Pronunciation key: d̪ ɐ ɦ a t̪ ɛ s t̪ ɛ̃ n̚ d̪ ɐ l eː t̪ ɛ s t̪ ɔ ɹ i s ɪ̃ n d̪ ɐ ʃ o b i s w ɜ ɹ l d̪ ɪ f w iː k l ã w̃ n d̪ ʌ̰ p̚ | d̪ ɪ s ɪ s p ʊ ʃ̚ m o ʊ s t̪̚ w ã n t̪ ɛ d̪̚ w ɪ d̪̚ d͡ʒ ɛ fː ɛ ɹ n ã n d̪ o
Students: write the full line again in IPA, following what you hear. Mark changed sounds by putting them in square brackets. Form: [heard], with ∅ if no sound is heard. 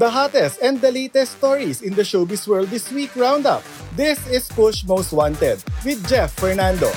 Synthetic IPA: d̪ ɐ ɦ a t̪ ɛ s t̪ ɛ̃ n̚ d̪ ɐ l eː t̪ ɛ s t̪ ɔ ɹ i s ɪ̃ n d̪ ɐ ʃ o b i s w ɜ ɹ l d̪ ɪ [s] w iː k [ɹ] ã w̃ n d̪ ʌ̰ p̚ | d̪ ɪ s ɪ s p ʊ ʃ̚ m o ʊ s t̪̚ w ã n t̪ ɛ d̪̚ w ɪ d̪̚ d͡ʒ ɛ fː ɛ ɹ n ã n d̪ o